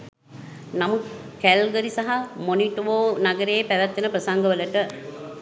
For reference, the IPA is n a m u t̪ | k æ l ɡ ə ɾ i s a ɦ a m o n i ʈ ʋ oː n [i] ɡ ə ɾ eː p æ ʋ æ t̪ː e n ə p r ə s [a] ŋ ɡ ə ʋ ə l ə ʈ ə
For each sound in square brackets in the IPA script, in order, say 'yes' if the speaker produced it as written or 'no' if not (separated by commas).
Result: no, yes